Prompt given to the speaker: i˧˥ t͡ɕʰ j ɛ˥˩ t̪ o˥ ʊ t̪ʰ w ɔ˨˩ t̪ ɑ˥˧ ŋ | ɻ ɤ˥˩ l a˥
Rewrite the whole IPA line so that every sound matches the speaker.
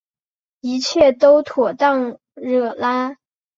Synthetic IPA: i˧˥ t͡ɕʰ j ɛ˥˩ t̪ o˥ ʊ t̪ʰ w ɔ˨˩ t̪ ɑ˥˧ ŋ | ɻ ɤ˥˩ l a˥